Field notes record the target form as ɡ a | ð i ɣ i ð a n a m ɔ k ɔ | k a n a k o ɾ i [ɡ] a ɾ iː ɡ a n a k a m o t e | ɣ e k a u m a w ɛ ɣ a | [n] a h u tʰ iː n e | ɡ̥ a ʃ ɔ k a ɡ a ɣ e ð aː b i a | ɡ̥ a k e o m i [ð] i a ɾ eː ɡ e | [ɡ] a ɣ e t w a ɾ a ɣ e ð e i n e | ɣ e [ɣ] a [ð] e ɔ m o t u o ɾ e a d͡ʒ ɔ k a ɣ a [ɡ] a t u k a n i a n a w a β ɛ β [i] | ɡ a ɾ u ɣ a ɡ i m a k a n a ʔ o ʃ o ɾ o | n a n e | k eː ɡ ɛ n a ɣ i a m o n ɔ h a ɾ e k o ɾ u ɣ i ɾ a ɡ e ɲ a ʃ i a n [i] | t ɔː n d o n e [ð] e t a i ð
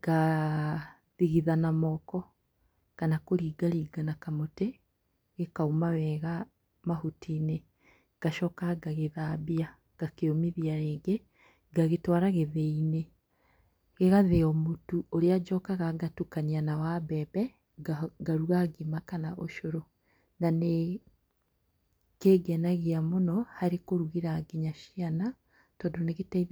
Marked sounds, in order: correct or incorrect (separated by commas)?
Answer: correct, incorrect, correct, correct, correct, correct, correct, incorrect, incorrect, incorrect